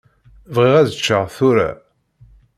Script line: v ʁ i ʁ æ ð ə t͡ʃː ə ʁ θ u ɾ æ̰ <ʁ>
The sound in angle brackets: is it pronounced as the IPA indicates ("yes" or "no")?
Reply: no